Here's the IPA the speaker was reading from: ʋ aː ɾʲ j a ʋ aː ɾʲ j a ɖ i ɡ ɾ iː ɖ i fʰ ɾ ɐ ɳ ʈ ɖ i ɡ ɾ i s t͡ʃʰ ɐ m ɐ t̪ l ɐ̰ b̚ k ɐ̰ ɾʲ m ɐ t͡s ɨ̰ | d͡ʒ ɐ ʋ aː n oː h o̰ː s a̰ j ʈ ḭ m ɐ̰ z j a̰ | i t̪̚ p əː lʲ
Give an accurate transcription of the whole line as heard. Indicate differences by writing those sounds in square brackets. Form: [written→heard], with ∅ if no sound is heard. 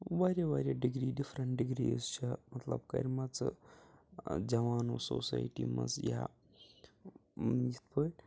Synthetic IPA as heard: ʋ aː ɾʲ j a ʋ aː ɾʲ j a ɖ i ɡ ɾ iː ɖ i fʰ ɾ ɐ ɳ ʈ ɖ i ɡ ɾ i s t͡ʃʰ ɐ m ɐ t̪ l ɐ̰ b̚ k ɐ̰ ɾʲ m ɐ t͡s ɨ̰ | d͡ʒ ɐ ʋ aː n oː [h→s] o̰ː s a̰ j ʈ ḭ m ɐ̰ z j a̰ | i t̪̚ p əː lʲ